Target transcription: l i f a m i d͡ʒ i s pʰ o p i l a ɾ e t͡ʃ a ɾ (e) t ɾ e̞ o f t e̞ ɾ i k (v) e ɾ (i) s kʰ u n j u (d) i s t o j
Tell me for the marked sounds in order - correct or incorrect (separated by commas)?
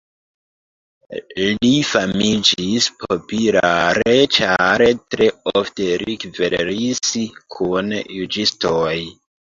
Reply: correct, correct, correct, incorrect